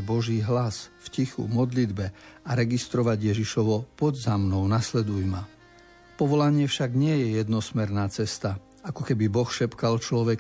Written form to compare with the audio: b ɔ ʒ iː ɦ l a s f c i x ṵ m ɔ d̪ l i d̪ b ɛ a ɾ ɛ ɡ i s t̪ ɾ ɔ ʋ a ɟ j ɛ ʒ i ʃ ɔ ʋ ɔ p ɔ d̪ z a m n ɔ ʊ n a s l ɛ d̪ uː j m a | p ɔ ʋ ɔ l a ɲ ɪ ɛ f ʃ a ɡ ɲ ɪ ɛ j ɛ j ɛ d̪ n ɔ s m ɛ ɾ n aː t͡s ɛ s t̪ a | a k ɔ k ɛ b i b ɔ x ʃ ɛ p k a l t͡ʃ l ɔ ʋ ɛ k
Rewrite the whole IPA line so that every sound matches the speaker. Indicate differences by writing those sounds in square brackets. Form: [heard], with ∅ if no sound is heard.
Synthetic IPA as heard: b ɔ ʒ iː ɦ l a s f c i x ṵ m ɔ d̪ l i d̪ b ɛ a ɾ ɛ ɡ i s t̪ ɾ ɔ ʋ a ɟ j ɛ ʒ i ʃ ɔ ʋ ɔ p ɔ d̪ z a m n ɔ ʊ n a s l ɛ d̪ [u] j m a | p ɔ ʋ ɔ l a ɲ ɪ ɛ f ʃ a ɡ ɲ ɪ ɛ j ɛ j ɛ d̪ n ɔ s m ɛ ɾ n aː t͡s ɛ s t̪ a | a k ɔ k ɛ b i b ɔ x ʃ ɛ p k a l t͡ʃ l ɔ ʋ ɛ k